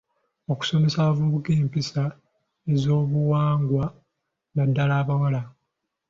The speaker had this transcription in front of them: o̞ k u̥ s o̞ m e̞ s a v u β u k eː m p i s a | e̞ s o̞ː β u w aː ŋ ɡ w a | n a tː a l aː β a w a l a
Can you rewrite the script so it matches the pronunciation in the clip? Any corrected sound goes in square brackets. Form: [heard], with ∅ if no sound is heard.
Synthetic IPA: o̞ k u̥ s o̞ m e̞ s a v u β u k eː m p i s a | e̞ [z] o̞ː β u w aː ŋ ɡ w a | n a [dː] a l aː β a w a l a